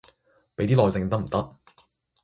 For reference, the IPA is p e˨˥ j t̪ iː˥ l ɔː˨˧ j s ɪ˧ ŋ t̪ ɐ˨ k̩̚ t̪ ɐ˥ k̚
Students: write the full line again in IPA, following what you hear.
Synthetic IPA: p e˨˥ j t̪ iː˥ l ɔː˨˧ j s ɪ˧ ŋ t̪ ɐ˥ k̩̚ t̪ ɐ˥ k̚